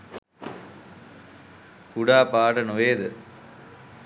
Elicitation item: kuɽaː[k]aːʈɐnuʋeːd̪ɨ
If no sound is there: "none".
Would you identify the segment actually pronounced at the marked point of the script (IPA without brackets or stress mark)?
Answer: p